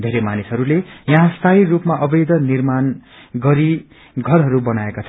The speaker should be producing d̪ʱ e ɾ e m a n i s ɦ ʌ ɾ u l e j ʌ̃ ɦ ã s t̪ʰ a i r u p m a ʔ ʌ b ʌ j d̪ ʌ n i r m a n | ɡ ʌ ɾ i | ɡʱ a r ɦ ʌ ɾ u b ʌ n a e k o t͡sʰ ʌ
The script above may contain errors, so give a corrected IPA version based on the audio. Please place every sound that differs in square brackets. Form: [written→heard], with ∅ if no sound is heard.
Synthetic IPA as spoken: d̪ʱ e ɾ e m a n i s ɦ ʌ ɾ u l e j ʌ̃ ɦ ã s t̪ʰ a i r u p m a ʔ ʌ b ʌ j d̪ ʌ n i r m a n | ɡ ʌ ɾ i | ɡʱ [a→ʌ] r ɦ ʌ ɾ u b ʌ n a e k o t͡sʰ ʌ